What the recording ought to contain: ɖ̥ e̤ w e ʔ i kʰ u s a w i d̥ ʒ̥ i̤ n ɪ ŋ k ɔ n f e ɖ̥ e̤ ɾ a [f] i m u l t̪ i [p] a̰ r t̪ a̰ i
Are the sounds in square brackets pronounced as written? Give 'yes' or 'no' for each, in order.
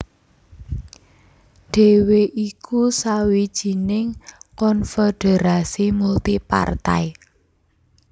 no, yes

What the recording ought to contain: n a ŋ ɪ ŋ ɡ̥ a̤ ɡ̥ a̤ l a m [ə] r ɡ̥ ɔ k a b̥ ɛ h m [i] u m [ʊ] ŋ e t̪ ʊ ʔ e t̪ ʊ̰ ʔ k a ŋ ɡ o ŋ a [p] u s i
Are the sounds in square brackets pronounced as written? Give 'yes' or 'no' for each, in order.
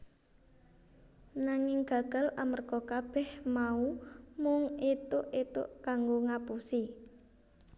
yes, no, yes, yes

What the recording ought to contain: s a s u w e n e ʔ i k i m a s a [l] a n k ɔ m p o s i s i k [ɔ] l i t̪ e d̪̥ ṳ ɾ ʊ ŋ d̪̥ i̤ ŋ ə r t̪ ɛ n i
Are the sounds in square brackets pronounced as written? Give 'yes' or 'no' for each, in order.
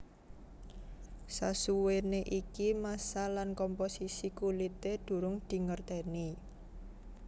yes, no

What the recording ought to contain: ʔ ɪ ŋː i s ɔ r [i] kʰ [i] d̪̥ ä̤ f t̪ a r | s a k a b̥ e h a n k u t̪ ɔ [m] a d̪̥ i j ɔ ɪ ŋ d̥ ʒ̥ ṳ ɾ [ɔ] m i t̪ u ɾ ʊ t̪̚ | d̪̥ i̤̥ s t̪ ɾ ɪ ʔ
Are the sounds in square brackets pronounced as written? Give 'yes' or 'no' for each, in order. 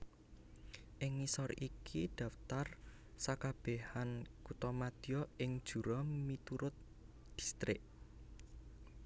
yes, yes, yes, yes

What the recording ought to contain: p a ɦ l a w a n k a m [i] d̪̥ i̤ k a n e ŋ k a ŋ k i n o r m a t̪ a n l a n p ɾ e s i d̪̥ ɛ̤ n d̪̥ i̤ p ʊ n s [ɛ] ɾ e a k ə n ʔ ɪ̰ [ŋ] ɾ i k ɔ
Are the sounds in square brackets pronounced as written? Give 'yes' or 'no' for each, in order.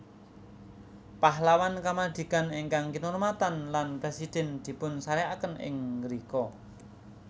no, no, yes

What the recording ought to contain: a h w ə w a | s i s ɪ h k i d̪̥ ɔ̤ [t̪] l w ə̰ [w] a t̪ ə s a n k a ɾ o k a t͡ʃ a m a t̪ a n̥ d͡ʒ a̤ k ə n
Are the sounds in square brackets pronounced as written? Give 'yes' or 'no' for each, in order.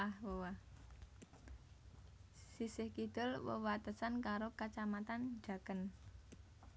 no, yes

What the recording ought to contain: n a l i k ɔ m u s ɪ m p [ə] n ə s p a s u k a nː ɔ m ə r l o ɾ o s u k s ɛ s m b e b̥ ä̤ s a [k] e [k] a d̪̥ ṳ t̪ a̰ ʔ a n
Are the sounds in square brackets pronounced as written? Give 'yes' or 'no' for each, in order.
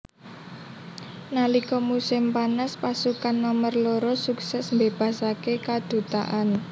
no, yes, yes

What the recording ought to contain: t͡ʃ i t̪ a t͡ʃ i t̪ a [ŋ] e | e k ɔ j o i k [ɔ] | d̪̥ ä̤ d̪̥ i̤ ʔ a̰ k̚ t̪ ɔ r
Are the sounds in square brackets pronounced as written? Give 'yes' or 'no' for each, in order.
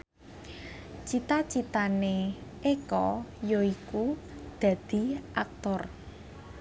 no, no

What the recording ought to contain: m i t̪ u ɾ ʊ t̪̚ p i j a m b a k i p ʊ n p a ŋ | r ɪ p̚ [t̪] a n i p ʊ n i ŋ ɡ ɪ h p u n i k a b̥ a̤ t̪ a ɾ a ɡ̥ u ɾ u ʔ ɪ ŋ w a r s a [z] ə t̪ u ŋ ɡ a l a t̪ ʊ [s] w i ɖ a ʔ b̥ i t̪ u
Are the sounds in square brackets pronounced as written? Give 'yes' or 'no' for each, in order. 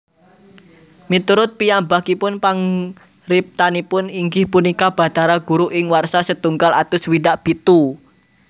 yes, no, yes

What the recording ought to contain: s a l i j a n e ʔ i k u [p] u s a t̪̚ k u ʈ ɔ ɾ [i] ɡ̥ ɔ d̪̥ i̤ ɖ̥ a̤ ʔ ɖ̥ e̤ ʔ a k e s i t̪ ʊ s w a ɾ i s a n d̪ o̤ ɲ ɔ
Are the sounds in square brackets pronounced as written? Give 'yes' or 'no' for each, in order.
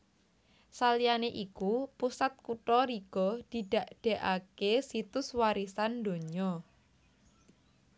yes, yes

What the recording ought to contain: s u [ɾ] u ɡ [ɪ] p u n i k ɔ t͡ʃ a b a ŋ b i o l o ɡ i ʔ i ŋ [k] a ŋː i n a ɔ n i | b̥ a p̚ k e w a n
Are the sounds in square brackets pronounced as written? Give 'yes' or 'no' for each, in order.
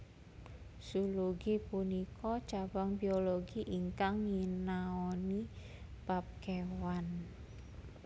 no, no, yes

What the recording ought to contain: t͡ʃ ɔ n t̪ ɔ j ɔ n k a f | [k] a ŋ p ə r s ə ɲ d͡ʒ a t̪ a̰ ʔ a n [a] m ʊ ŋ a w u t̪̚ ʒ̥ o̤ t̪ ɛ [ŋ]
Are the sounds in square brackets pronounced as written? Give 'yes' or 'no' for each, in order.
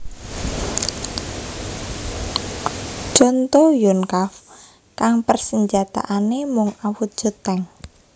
yes, no, yes

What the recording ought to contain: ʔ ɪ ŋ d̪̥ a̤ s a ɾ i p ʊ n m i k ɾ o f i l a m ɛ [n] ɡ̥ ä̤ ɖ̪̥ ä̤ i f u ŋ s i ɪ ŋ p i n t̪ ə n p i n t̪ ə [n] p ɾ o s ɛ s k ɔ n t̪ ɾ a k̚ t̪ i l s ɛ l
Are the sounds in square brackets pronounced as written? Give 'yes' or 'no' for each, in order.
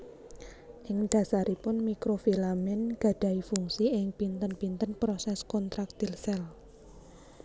yes, yes

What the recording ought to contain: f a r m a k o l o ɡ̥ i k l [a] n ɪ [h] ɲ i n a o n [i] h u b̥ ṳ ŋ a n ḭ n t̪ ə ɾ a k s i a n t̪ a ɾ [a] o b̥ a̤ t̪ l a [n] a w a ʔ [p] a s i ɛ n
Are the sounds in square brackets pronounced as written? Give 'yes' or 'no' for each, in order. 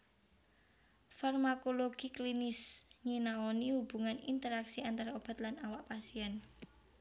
no, no, yes, yes, yes, yes

